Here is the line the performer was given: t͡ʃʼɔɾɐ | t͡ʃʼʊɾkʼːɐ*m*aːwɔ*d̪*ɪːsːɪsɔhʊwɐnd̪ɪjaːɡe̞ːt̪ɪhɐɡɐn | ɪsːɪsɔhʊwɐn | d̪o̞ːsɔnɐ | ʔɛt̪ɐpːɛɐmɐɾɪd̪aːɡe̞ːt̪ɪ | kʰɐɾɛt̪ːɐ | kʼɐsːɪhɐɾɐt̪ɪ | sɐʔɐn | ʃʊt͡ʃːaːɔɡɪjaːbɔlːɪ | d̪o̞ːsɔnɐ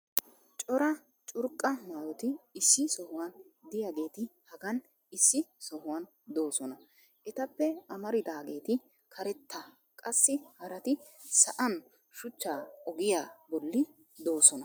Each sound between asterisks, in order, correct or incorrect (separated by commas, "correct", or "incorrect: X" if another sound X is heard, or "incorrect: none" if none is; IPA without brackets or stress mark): correct, incorrect: t̪